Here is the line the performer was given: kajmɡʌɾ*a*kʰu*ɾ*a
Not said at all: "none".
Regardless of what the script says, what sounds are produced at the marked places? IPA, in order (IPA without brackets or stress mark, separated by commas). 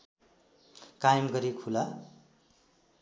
i, l